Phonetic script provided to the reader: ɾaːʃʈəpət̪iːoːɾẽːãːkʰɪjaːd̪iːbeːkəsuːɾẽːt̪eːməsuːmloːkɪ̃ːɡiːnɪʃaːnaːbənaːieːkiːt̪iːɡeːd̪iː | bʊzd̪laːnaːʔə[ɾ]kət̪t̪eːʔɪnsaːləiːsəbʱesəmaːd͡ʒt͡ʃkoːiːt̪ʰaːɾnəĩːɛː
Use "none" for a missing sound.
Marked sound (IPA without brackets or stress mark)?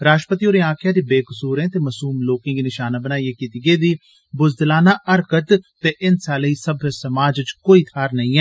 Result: ɾ